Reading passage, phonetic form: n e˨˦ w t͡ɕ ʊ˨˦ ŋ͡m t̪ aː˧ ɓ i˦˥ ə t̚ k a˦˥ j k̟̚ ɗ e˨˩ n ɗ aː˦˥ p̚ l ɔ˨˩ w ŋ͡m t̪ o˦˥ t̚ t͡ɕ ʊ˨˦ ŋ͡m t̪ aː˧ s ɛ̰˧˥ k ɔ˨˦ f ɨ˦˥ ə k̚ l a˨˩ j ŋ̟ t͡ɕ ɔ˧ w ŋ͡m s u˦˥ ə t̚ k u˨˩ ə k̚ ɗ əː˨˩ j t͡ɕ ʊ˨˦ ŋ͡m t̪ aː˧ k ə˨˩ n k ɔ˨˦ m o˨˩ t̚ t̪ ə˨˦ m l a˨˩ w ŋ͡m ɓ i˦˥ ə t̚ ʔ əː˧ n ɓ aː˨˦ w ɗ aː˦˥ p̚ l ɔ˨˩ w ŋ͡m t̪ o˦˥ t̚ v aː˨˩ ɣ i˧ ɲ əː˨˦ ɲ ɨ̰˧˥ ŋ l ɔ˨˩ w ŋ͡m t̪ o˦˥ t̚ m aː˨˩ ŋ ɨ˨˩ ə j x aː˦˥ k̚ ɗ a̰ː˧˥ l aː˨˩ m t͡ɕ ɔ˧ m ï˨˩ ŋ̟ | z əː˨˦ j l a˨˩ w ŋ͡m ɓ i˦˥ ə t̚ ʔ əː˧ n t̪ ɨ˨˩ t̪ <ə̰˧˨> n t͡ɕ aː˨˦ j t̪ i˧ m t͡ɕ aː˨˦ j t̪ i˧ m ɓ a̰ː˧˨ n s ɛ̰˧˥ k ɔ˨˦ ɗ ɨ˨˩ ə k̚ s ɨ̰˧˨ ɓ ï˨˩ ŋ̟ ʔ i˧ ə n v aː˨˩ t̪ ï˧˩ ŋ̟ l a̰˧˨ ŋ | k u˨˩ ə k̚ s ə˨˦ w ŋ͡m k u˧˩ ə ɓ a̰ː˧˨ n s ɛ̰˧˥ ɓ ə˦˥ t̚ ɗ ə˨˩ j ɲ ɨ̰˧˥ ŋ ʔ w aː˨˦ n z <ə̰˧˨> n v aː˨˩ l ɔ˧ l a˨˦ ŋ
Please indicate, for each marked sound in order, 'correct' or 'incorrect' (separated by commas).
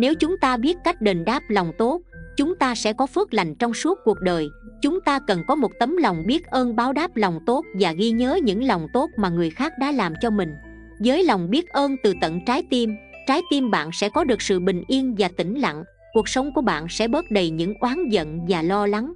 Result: correct, correct